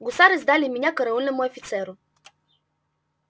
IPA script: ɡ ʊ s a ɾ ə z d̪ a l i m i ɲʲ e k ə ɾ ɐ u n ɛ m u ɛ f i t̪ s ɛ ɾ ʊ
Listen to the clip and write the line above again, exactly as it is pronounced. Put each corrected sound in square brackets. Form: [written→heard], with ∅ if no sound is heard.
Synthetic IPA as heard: ɡ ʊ s a ɾ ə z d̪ a l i m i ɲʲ [e→a] k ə ɾ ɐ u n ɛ m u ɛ f i t̪ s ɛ ɾ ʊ

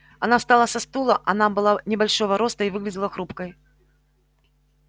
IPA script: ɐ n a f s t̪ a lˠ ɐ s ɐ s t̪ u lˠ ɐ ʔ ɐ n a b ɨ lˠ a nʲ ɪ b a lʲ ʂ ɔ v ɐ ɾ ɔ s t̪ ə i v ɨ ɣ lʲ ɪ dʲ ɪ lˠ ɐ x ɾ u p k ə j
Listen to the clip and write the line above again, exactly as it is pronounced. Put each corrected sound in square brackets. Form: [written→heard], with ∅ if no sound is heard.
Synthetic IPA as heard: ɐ n a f s t̪ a lˠ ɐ s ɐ s t̪ u lˠ ɐ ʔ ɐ n a b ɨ lˠ a nʲ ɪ b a lʲ ʂ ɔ v ɐ ɾ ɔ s t̪ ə i v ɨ ɣ lʲ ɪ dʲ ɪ lˠ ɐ x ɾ u p k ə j

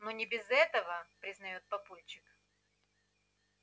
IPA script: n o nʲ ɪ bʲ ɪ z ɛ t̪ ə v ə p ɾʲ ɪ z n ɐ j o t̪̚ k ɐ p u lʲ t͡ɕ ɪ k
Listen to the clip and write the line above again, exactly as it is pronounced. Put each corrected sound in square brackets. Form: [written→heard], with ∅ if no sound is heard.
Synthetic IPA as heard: n o nʲ ɪ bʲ ɪ z ɛ t̪ ə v ə p ɾʲ ɪ z n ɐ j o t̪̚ [k→p] ɐ p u lʲ t͡ɕ ɪ k

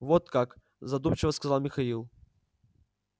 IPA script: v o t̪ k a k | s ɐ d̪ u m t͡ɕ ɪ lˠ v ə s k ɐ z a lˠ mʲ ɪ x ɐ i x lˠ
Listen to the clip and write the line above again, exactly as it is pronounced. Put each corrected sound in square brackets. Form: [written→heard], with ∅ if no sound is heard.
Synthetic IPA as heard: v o t̪ k a k | [s→z] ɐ d̪ u m t͡ɕ ɪ [lˠ→∅] v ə s k ɐ z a lˠ mʲ ɪ x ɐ i [x→∅] lˠ

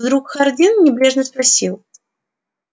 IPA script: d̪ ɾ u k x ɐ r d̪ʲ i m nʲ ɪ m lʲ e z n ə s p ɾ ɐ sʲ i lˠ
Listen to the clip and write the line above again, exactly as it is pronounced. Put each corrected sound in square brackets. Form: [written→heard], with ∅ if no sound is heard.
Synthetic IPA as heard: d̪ ɾ u k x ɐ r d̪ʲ i [m→n] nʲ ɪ [m→b] lʲ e [z→ʐ] n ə s p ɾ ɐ sʲ i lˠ

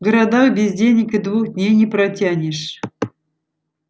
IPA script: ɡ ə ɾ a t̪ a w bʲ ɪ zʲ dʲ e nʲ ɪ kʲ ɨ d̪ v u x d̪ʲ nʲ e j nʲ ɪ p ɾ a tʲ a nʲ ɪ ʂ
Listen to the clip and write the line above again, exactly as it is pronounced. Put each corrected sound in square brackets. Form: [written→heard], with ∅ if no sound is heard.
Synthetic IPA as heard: ɡ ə ɾ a [t̪→d̪] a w bʲ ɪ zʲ dʲ e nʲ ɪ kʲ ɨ d̪ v u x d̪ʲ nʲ e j nʲ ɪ p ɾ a tʲ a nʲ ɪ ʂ

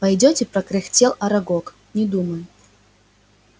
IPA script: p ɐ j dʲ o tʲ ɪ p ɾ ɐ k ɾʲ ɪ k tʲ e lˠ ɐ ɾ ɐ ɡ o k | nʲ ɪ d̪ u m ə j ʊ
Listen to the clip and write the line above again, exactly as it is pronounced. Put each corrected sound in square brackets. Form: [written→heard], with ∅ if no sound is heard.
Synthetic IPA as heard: p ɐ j dʲ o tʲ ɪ p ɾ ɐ k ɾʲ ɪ [k→x] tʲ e lˠ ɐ ɾ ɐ ɡ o k | nʲ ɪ d̪ u m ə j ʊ

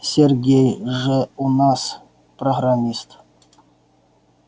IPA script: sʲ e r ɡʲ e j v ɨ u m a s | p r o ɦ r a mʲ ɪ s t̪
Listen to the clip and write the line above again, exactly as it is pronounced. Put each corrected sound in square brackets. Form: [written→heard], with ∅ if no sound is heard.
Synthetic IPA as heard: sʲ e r ɡʲ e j [v→ʐ] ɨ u [m→n] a s | p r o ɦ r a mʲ [ɪ→i] s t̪

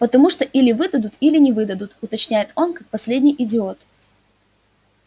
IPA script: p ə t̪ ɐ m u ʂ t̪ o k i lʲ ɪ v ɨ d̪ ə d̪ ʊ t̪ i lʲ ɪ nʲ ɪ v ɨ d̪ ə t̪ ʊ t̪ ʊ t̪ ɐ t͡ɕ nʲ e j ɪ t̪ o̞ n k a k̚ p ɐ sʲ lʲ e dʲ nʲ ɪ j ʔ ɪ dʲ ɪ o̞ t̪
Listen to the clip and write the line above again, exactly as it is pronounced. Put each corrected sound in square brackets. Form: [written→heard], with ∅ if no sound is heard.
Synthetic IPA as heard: p ə t̪ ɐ m u ʂ t̪ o [k→ʔ] i lʲ ɪ v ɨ d̪ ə d̪ ʊ t̪ i lʲ ɪ nʲ ɪ v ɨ d̪ ə [t̪→d̪] ʊ t̪ ʊ t̪ ɐ t͡ɕ nʲ [e→æ] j ɪ t̪ o̞ n k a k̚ p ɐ sʲ lʲ e dʲ nʲ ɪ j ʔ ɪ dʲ ɪ o̞ t̪

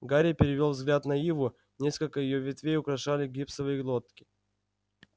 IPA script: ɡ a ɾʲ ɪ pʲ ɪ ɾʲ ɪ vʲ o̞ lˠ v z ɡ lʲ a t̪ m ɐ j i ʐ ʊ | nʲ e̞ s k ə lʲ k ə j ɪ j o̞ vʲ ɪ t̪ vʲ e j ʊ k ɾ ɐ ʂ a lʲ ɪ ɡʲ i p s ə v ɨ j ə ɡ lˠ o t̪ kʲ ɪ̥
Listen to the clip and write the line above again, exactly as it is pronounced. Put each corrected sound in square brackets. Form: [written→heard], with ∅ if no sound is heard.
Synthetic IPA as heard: ɡ a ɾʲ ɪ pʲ ɪ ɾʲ ɪ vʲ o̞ lˠ v z ɡ lʲ a t̪ [m→n] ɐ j i [ʐ→v] ʊ | nʲ e̞ s k ə lʲ k ə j ɪ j o̞ vʲ ɪ t̪ vʲ e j ʊ k ɾ ɐ ʂ a lʲ ɪ ɡʲ i p s ə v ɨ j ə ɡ lˠ o t̪ kʲ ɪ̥

